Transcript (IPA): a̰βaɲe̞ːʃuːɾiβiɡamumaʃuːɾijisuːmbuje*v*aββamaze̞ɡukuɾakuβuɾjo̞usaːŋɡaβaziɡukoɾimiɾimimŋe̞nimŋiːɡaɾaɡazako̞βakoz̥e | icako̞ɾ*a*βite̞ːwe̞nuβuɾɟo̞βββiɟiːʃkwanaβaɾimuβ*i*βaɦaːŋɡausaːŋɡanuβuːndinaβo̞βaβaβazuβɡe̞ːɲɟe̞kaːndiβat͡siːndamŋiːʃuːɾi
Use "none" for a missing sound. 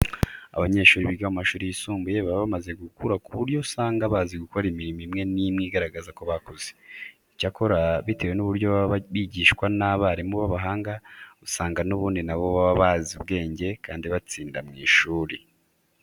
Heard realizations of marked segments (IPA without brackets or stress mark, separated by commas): β, a, a